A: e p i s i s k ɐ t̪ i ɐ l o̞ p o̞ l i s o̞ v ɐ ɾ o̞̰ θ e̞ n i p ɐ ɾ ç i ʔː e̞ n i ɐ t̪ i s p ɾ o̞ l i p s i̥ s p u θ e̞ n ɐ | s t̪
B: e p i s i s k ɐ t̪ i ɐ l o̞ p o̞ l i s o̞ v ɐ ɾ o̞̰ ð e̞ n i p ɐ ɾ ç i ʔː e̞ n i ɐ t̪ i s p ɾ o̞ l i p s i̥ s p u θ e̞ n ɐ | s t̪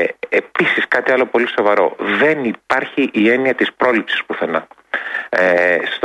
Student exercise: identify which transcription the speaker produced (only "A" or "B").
B